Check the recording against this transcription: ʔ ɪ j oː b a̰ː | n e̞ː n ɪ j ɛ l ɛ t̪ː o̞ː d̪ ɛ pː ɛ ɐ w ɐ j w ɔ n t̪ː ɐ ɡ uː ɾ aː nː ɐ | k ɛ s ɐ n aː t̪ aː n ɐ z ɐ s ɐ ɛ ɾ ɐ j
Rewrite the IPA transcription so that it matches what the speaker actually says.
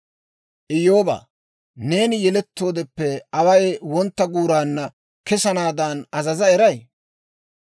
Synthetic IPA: ʔ ɪ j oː b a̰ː | n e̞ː n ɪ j ɛ l ɛ t̪ː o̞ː d̪ ɛ pː ɛ ɐ w ɐ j w ɔ n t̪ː ɐ ɡ uː ɾ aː nː ɐ | k ɛ s ɐ n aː d̪ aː n ɐ z ɐ z ɐ ɛ ɾ ɐ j